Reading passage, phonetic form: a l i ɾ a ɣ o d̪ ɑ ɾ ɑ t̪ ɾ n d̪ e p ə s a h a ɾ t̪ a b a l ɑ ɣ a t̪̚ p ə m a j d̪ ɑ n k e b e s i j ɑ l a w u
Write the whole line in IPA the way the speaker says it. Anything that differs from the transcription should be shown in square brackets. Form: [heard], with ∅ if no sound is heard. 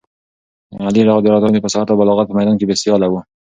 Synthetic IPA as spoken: a l i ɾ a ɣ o d̪ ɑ ɾ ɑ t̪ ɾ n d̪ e p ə s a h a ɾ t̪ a b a l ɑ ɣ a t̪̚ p ə m a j d̪ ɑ n k e b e s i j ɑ l a w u